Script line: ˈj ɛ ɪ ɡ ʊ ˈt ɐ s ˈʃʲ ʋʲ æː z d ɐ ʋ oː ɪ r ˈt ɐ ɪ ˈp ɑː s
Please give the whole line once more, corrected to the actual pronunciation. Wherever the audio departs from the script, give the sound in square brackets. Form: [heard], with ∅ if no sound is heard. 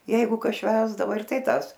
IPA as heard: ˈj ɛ ɪ ɡ ʊ [ˈk] ɐ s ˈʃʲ ʋʲ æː z d ɐ ʋ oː ɪ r ˈt ɐ ɪ [ˈt] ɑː s